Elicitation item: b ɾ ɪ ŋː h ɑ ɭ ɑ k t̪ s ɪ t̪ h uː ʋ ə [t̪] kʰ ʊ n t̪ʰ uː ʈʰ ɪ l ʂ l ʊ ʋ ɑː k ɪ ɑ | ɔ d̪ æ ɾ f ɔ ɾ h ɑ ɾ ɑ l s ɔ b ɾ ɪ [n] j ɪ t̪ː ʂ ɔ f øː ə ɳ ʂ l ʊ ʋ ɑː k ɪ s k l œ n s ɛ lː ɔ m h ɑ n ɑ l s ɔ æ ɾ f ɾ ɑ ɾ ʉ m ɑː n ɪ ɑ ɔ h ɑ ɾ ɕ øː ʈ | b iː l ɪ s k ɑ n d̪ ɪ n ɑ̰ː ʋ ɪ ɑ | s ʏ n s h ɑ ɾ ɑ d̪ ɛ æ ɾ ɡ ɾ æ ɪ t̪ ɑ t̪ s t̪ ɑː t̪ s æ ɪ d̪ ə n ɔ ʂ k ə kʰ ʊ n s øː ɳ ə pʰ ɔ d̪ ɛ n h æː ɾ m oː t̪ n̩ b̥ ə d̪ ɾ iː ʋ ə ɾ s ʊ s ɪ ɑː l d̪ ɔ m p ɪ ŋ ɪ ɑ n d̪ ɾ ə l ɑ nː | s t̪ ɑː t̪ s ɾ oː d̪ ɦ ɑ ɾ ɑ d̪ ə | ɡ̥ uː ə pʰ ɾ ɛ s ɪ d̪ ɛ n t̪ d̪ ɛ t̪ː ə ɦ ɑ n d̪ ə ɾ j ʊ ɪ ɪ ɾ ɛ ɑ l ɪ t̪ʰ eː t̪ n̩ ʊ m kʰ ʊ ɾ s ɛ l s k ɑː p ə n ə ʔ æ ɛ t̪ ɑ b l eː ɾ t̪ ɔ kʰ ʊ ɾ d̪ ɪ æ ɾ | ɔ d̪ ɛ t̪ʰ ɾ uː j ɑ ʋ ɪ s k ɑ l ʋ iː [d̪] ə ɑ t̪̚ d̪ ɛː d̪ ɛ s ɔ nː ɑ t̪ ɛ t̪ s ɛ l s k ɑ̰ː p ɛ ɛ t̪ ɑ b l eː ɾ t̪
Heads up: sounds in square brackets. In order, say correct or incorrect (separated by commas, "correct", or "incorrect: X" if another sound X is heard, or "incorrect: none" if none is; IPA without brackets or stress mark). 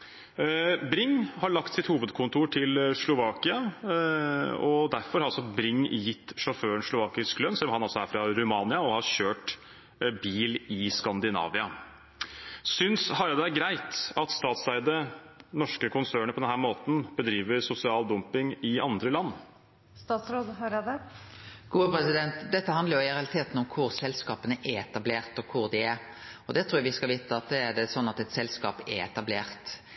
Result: incorrect: d̪, incorrect: ŋ, incorrect: t̪